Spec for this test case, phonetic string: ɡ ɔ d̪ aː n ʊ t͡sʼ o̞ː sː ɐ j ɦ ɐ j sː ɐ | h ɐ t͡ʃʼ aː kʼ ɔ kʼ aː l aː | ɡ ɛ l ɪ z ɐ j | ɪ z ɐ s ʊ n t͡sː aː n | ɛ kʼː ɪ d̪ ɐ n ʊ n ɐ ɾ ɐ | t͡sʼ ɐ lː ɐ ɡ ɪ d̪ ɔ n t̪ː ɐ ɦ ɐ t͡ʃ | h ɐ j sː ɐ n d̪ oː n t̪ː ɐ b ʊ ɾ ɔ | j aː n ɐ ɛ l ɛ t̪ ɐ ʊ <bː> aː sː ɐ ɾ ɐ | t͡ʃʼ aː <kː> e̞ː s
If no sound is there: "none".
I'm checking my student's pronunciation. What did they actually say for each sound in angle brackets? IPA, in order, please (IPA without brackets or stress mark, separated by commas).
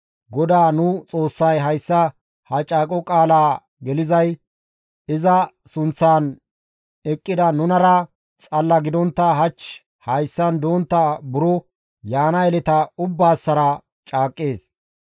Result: bː, kʼː